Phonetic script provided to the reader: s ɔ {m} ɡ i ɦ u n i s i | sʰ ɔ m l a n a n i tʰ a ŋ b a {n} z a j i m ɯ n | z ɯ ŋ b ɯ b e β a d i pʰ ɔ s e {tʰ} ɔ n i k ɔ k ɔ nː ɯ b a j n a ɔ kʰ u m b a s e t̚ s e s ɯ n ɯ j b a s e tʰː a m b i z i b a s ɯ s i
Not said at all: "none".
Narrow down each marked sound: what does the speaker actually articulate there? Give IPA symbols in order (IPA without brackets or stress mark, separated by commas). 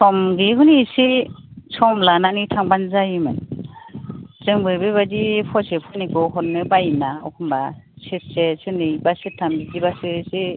m, n, pʰ